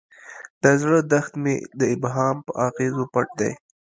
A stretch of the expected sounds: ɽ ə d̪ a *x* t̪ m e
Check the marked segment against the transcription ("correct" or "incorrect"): correct